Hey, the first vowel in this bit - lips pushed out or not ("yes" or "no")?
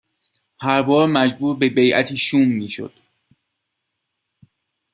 no